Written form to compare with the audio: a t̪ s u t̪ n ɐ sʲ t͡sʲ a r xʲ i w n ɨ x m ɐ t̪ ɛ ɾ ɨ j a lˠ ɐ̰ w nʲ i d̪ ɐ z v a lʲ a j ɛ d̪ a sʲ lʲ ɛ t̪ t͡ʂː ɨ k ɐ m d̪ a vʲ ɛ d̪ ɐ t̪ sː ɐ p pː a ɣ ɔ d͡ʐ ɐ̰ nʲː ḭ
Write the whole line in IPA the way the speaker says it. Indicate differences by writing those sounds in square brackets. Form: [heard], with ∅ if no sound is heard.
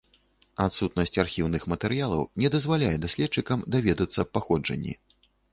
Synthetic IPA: a t̪ s u t̪ n ɐ sʲ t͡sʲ a r xʲ i w n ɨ x m ɐ t̪ ɛ ɾ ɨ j a lˠ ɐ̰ w nʲ [ɛ] d̪ ɐ z v a lʲ a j ɛ d̪ a sʲ lʲ ɛ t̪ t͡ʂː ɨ k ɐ m d̪ a vʲ ɛ d̪ ɐ t̪ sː ɐ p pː a [x] ɔ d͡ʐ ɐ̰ nʲː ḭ